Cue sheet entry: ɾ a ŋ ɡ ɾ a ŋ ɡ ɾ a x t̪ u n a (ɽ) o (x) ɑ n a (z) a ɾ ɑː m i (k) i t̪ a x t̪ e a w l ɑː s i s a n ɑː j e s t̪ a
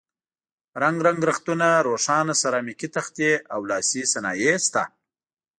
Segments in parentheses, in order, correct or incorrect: incorrect, incorrect, incorrect, correct

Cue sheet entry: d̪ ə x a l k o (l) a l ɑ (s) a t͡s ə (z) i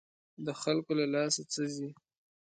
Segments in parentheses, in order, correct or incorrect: correct, correct, correct

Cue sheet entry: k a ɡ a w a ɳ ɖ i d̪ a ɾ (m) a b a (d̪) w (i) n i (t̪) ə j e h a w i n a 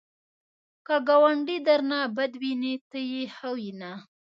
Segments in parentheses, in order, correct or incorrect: incorrect, correct, correct, correct

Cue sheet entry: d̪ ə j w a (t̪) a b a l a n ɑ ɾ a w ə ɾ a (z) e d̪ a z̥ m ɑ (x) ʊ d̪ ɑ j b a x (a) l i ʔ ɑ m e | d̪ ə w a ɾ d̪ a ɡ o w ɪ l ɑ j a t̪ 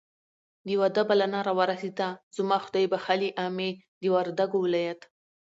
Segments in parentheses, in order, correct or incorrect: incorrect, incorrect, correct, correct

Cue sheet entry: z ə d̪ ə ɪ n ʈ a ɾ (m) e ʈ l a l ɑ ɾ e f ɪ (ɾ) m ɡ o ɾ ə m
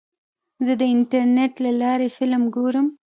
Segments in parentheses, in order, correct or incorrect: incorrect, incorrect

